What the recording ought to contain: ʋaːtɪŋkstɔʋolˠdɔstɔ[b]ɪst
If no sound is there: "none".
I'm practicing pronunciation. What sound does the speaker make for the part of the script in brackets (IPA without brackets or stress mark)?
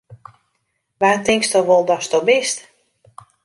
b